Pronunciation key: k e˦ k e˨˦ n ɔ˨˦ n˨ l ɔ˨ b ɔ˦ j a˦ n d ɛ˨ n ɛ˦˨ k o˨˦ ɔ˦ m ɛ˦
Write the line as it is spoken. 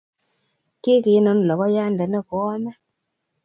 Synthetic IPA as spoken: k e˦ k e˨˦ n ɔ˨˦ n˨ l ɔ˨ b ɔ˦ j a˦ n d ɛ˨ n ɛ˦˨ k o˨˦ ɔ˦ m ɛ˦